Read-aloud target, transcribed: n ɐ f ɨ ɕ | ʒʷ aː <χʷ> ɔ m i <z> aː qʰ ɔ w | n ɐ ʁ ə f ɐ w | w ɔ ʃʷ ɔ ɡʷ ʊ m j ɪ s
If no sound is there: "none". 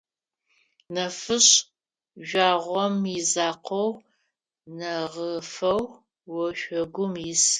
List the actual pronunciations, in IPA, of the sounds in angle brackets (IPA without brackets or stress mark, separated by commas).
ʁʷ, z